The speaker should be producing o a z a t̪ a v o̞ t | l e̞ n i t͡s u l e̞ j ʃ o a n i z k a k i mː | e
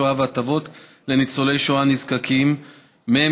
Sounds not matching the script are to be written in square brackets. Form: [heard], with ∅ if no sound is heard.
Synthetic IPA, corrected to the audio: o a [v] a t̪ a v o̞ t | l e̞ n i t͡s [o] l e̞ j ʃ o a n i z k a k i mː | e